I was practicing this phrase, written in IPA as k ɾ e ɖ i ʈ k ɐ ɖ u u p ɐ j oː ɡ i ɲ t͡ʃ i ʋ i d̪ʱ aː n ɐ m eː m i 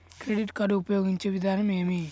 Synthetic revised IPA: k ɾ e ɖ i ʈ k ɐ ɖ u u p ɐ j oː ɡ i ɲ t͡ʃ e ʋ i d̪ʱ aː n ɐ m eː m i

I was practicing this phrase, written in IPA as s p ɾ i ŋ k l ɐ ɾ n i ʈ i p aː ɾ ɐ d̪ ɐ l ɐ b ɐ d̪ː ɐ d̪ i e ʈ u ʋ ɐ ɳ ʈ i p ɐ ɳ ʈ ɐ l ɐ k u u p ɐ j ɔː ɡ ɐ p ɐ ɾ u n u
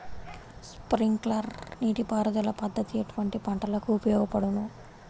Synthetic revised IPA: s p ɾ i ŋ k l ɐ ɾ n iː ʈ i p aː ɾ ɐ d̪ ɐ l ɐ p ɐ d̪ː ɐ t̪ i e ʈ u ʋ ɐ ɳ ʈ i p ɐ ɳ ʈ ɐ l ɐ k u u p ɐ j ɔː ɡ ɐ p ɐ ɽ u n u

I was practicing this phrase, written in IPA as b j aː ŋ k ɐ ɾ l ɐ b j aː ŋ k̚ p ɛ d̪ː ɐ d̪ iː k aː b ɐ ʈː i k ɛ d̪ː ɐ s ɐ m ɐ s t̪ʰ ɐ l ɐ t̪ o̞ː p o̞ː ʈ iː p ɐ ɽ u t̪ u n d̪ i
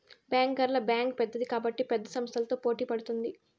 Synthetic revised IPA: b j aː ŋ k ɐ ɾ l ɐ b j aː ŋ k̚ p ɛ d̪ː ɐ d̪ i k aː b ɐ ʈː i p ɛ d̪ː ɐ s ɐ m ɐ s t̪ʰ ɐ l ɐ t̪ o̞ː p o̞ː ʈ iː p ɐ ɽ u t̪ u n d̪ i

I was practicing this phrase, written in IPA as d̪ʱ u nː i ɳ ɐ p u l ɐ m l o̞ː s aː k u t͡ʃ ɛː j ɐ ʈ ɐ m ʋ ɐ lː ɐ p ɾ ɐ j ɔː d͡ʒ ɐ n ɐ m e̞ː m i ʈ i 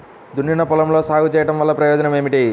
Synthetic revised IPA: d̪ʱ u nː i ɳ ɐ p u l ɐ m l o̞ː s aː ɡ u t͡ʃ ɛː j ɐ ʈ ɐ m ʋ ɐ lː ɐ p ɾ ɐ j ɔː d͡ʒ ɐ n ɐ m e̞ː m i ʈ i

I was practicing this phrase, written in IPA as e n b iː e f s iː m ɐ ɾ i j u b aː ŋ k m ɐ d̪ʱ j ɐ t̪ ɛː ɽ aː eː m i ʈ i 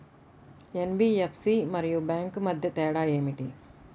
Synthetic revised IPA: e n b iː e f s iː m ɐ ɾ i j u b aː ŋ k m ɐ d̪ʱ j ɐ t̪ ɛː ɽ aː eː m i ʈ i

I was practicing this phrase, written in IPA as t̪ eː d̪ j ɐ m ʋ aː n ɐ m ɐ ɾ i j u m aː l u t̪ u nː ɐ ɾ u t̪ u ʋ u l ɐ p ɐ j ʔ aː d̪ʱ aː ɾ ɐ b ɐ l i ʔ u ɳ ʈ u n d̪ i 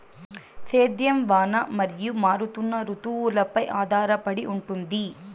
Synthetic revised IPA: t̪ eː d̪ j ɐ m ʋ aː n ɐ m ɐ ɾ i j u m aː ɾ u t̪ u nː ɐ ɾ u t̪ u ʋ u l ɐ p ɐ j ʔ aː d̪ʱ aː ɾ ɐ p ɐ ɽ i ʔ u ɳ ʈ u n d̪ i

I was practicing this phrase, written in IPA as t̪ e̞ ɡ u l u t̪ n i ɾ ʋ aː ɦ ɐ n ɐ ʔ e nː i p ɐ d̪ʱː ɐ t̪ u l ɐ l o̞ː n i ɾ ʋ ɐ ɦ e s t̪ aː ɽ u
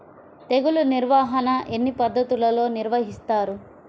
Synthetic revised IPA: t̪ e̞ ɡ u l u n i ɾ ʋ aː ɦ ɐ n ɐ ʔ e nː i p ɐ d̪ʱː ɐ t̪ u l ɐ l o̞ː n i ɾ ʋ ɐ ɦ i s t̪ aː ɾ u

